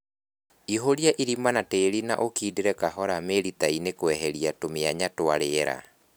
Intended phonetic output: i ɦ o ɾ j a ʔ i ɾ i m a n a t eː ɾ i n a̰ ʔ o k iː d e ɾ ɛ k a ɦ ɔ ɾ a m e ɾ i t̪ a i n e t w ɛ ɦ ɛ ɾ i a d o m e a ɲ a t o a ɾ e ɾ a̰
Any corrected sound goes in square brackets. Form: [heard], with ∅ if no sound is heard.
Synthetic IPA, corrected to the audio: i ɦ o ɾ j a ʔ i ɾ i m a n a t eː ɾ i n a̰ ʔ o k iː d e ɾ ɛ k a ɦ ɔ ɾ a m e ɾ i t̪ a i n e [k] w ɛ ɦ ɛ ɾ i a [t] o m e a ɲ a t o a ɾ e ɾ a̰